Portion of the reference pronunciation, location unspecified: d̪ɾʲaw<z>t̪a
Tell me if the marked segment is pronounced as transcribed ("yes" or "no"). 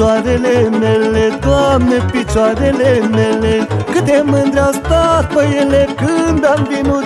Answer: no